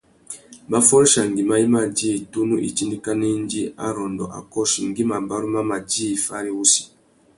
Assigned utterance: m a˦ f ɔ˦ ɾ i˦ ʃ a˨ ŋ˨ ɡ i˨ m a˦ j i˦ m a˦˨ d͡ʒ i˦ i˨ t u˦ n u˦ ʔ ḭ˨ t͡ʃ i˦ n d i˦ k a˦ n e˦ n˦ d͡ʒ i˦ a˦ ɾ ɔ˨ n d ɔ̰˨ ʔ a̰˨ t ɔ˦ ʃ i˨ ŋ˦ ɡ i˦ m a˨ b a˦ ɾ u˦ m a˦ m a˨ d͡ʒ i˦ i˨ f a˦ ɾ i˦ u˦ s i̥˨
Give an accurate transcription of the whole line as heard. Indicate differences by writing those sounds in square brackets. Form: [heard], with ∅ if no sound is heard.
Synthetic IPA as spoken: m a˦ f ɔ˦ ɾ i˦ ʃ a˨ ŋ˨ ɡ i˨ m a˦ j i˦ m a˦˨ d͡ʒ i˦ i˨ t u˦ n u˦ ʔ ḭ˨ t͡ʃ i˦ n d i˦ k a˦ n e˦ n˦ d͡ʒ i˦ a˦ ɾ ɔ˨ n d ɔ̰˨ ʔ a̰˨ [k] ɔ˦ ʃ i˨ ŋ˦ ɡ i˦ m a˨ b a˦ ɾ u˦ m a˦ m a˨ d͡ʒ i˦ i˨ f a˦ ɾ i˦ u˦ s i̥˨